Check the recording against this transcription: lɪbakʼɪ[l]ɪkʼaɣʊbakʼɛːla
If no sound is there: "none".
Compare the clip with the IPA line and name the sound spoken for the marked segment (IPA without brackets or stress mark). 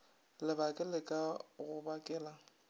l